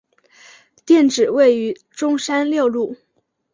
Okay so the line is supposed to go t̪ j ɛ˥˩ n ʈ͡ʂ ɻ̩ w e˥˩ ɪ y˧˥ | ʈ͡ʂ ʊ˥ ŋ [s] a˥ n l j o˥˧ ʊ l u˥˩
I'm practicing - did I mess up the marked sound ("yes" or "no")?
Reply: yes